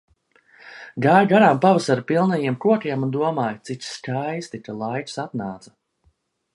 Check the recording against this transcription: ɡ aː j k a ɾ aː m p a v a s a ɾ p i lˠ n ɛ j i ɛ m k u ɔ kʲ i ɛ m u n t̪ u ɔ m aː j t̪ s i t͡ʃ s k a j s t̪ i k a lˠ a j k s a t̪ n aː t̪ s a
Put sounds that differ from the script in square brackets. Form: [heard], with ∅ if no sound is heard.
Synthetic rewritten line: ɡ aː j [ɡ] a ɾ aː m p a v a s a ɾ p i lˠ n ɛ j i ɛ m k u ɔ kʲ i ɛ m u n [d̪] u ɔ m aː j t̪ s i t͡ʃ s k a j s t̪ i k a lˠ a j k s a t̪ n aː t̪ s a